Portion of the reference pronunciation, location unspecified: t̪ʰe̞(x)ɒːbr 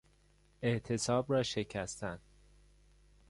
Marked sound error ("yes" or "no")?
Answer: yes